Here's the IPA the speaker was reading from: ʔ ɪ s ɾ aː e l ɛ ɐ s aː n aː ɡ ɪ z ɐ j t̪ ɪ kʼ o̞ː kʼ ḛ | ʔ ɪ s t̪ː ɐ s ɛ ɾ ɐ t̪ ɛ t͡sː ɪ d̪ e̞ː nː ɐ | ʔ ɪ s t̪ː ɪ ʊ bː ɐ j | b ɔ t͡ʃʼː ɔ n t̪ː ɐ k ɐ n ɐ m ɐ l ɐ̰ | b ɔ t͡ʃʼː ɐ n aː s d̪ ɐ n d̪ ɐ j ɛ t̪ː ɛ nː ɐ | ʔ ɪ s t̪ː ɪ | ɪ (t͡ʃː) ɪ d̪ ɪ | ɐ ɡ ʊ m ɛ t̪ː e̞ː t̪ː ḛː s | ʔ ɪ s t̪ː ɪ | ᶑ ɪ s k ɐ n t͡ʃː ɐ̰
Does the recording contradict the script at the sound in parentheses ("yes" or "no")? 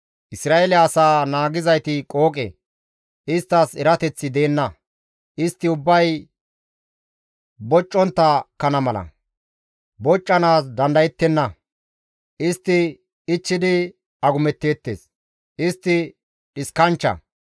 no